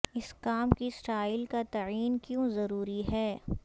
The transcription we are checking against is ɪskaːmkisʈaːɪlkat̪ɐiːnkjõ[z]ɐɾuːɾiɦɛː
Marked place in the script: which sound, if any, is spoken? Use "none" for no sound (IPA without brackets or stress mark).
z